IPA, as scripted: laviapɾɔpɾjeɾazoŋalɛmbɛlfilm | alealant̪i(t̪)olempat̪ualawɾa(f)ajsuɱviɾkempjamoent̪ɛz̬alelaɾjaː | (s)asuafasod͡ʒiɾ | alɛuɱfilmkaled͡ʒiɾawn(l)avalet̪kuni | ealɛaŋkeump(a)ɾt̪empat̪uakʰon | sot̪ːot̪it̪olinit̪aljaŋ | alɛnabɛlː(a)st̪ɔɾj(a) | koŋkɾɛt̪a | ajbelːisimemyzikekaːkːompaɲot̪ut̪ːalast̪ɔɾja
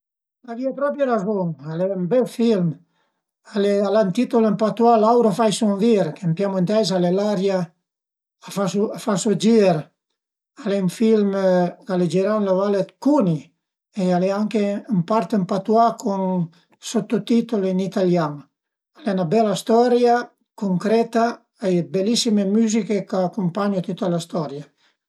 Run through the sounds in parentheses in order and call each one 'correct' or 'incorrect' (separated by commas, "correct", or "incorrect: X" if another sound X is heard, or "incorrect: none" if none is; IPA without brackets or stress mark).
correct, correct, incorrect: f, correct, correct, correct, correct